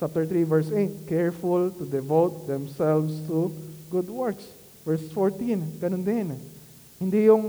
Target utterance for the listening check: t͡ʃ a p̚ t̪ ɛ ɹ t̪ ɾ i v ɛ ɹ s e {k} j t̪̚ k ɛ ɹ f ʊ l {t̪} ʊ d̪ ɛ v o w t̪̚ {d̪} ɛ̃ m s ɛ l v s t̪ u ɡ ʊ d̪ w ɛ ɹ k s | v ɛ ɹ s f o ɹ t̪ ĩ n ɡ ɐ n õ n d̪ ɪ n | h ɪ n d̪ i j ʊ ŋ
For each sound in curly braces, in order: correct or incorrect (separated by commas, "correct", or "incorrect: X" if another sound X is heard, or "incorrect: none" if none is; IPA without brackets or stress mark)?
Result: incorrect: none, correct, correct